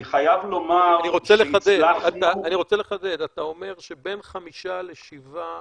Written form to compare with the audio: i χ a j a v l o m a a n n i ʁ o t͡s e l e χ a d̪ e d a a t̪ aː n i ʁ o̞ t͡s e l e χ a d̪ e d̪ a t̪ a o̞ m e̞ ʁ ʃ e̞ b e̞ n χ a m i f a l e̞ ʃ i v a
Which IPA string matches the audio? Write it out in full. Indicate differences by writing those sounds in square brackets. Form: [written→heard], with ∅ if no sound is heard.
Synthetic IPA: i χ a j a v l o m a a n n i ʁ o t͡s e l e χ a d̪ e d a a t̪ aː n i ʁ o̞ t͡s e l e χ a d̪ e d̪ a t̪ a o̞ m e̞ ʁ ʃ e̞ b e̞ n χ a m i [f→ʃ] a l e̞ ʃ i v a